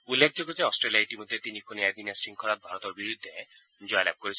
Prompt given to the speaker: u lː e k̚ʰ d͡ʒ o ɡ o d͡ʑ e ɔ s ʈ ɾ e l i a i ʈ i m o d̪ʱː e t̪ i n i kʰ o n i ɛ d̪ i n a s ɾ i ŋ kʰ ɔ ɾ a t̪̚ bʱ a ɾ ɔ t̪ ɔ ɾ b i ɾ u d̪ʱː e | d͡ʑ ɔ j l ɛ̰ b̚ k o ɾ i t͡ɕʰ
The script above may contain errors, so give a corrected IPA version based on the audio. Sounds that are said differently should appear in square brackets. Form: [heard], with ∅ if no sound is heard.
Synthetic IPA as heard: u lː e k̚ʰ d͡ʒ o ɡ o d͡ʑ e ɔ s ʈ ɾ e l i a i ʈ i m o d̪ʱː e t̪ i n i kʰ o n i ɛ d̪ i n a s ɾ i ŋ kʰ ɔ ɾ a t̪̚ bʱ a ɾ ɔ t̪ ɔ ɾ b i ɾ u d̪ʱː e | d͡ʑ ɔ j l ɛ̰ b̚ k o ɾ i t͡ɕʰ